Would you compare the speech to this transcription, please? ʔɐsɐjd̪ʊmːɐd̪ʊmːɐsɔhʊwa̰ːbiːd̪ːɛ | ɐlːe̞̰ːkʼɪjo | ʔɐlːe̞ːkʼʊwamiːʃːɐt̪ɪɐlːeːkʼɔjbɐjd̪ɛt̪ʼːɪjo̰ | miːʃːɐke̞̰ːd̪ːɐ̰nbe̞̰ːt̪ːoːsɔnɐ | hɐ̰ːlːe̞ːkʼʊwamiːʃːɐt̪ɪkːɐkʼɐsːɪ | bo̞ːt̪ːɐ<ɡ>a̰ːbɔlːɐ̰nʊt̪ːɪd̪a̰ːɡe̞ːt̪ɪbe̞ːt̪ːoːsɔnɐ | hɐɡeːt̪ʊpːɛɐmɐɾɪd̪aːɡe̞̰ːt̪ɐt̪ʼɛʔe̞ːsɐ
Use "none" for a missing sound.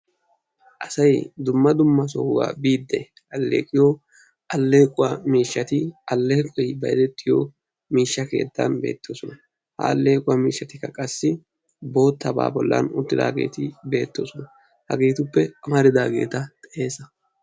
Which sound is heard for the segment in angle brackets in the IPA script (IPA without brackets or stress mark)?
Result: b